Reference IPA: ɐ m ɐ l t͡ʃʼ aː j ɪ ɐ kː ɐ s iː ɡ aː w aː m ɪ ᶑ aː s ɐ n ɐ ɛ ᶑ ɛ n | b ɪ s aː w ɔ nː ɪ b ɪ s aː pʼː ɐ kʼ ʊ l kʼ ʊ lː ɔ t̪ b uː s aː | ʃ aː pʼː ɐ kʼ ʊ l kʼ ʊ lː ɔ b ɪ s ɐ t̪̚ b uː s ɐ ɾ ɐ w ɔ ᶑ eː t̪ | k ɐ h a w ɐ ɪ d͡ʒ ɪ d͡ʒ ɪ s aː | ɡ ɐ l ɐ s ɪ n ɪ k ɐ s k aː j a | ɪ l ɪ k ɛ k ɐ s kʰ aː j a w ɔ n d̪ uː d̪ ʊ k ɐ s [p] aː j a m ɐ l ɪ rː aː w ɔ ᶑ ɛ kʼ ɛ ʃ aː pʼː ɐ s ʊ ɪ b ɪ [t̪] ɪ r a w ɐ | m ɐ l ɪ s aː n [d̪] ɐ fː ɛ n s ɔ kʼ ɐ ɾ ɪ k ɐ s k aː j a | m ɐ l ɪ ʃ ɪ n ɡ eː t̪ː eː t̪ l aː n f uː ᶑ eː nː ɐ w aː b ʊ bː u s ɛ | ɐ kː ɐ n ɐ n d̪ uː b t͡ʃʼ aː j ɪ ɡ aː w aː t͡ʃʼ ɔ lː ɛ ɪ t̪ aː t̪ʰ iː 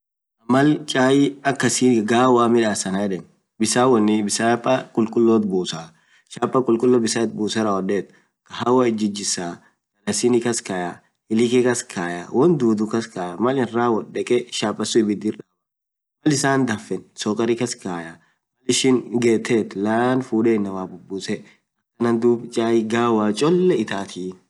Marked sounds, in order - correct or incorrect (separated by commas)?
incorrect, incorrect, correct